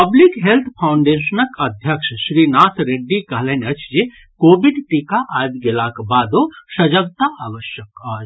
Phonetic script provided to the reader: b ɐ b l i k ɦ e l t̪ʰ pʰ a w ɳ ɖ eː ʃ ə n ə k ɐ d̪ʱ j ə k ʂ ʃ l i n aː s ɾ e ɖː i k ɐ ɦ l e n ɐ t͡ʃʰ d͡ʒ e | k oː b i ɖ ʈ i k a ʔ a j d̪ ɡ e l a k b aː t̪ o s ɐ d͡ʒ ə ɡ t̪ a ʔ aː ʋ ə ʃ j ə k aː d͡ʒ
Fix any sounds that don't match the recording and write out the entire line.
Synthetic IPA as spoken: p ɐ b l i k ɦ e l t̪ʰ pʰ a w ɳ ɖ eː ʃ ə n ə k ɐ d̪ʱ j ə k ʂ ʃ ɾ i n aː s ɾ e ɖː i k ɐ ɦ l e n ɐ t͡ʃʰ d͡ʒ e | k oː b i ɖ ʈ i k a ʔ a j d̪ ɡ e l a k b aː d̪ o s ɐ d͡ʒ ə ɡ t̪ a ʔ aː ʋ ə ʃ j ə k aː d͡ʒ